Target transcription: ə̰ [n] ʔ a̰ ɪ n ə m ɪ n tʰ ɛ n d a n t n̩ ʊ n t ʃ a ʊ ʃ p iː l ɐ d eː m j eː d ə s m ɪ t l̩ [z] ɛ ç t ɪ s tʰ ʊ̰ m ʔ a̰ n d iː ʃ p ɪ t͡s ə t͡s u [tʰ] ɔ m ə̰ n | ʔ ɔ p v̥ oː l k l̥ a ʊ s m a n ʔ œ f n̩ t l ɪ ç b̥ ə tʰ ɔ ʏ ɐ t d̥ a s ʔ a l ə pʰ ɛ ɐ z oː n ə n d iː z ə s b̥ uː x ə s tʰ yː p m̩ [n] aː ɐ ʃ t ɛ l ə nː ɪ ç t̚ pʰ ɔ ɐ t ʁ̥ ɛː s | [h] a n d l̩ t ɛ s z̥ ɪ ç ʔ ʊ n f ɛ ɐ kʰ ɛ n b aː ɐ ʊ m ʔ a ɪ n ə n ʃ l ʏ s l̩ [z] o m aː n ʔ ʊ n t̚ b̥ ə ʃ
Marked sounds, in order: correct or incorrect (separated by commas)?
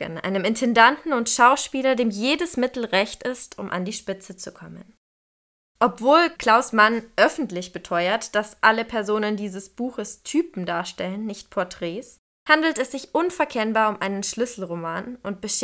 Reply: correct, incorrect, incorrect, incorrect, correct, incorrect